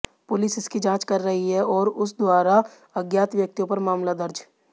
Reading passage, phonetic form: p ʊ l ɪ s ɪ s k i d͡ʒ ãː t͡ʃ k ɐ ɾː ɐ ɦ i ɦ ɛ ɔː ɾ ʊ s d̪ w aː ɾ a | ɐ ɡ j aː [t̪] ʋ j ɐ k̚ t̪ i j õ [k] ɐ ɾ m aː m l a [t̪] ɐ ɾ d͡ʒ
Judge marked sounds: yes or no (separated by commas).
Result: yes, no, no